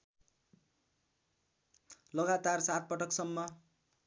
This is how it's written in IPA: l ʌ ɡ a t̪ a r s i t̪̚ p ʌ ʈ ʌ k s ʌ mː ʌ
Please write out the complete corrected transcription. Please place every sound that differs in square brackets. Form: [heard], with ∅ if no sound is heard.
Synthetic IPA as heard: l ʌ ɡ a t̪ a r s [a] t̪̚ p ʌ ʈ ʌ k s ʌ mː ʌ